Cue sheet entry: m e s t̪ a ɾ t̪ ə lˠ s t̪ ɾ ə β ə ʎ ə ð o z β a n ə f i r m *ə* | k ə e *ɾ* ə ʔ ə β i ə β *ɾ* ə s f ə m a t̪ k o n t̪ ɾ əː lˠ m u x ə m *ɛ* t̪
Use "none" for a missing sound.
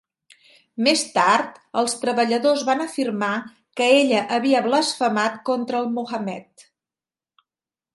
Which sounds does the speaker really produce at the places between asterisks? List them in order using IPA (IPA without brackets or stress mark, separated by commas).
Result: a, ʎ, l, ɛ